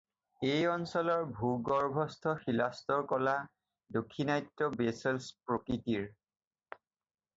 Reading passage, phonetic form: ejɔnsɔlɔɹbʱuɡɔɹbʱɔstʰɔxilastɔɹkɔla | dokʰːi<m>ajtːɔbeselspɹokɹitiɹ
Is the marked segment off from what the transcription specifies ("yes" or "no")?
yes